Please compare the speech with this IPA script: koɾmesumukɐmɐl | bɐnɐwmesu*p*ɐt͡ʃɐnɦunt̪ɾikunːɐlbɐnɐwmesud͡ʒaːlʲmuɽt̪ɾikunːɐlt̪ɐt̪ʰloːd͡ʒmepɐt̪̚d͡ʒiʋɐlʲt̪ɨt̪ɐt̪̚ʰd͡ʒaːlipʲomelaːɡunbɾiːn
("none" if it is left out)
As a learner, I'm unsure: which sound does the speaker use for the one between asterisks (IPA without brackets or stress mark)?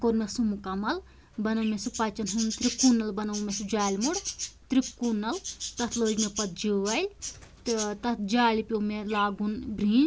p